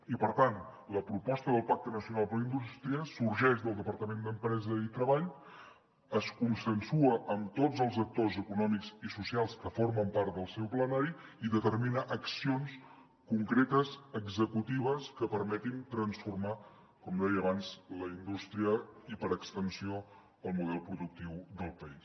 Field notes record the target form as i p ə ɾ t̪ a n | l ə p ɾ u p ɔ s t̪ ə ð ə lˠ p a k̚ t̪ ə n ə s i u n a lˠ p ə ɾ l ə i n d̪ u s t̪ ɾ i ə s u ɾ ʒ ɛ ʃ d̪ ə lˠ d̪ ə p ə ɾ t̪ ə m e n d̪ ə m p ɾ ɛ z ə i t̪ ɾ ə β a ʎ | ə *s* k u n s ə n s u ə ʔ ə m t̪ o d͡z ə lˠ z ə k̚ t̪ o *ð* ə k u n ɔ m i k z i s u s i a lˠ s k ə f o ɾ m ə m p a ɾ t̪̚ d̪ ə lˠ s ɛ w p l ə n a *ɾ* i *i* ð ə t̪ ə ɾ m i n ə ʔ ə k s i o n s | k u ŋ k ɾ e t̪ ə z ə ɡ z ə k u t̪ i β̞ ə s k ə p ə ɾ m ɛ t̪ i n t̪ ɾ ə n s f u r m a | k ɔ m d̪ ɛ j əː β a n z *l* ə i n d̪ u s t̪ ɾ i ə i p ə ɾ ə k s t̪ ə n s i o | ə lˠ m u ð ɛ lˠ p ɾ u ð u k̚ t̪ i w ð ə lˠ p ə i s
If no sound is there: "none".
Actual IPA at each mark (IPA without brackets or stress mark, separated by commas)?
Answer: s, z, ɾ, i, l